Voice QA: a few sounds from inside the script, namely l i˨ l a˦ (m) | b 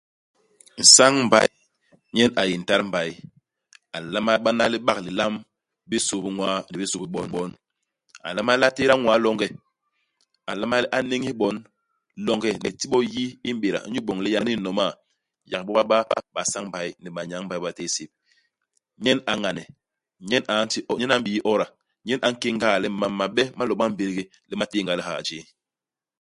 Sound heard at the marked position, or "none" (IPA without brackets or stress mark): m